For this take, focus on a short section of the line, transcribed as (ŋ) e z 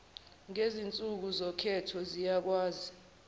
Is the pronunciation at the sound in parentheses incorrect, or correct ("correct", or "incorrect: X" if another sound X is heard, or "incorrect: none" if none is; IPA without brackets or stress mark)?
correct